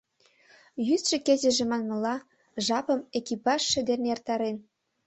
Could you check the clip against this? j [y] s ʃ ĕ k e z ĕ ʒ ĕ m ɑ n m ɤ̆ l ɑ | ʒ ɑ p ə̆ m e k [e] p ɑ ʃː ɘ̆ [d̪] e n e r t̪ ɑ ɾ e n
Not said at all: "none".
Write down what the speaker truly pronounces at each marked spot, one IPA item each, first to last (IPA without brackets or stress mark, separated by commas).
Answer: y, i, d̪